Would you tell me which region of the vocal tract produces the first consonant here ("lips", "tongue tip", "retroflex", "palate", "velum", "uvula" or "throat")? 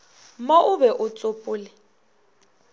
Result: lips